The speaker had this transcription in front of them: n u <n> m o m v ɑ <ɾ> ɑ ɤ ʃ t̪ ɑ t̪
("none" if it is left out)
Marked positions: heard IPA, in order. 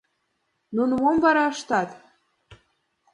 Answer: n, ɾ

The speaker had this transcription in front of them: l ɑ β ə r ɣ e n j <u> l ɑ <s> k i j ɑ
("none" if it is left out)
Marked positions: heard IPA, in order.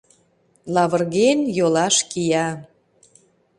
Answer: o, ʃ

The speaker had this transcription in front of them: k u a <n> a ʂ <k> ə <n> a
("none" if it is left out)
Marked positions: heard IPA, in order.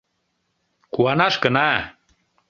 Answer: n, k, n

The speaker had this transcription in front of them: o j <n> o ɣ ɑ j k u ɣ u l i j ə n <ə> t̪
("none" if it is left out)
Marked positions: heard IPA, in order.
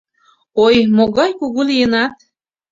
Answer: m, ɑ

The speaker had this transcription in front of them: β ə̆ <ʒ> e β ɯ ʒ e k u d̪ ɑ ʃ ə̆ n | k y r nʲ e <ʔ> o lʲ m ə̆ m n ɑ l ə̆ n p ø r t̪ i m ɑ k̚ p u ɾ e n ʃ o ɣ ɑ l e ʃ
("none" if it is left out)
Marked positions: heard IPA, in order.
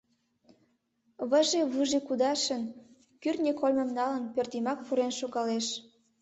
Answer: ʒ, k

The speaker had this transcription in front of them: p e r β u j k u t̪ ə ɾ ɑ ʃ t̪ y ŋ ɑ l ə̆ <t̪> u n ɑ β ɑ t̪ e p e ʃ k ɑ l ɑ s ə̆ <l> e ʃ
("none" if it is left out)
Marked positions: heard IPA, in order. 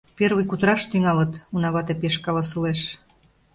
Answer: t̪, l

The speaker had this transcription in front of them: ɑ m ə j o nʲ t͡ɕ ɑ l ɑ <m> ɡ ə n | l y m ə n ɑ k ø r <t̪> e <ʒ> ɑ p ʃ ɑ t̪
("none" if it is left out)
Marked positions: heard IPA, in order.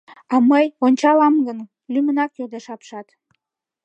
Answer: m, d̪, ʃ

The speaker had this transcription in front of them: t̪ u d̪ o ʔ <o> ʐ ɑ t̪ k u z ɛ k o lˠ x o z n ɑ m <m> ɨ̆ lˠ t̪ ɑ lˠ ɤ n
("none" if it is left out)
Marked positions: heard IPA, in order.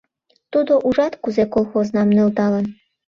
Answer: u, n

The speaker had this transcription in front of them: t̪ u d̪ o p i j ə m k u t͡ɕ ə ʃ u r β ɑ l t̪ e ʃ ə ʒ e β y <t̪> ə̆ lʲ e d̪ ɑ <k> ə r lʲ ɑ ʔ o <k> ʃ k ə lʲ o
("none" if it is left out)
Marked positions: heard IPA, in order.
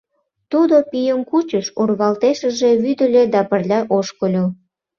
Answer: d̪, p, none

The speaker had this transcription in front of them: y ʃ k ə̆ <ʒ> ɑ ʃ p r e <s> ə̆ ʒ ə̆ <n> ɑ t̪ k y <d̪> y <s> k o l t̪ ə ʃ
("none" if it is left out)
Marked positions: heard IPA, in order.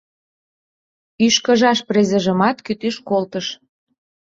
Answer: ʒ, z, m, t̪, ʃ

